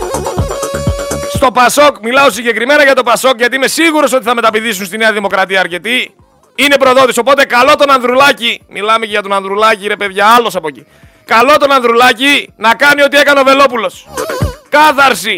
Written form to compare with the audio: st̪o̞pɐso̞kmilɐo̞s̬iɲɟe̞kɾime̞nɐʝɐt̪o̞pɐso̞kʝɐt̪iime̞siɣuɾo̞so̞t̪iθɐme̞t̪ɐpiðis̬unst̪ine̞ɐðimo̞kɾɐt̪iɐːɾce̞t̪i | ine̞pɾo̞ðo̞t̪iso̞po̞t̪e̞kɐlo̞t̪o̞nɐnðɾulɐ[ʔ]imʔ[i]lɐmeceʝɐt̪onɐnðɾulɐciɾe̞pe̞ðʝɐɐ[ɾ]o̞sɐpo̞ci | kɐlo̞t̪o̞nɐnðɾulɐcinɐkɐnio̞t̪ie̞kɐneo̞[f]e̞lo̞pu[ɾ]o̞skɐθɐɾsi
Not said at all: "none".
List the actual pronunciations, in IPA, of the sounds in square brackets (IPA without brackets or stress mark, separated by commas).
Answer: c, i, l, v, l